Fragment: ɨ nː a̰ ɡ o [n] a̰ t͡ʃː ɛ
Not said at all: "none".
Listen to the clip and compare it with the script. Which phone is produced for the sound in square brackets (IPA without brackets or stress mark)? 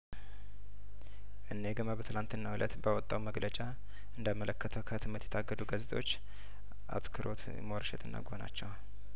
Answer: n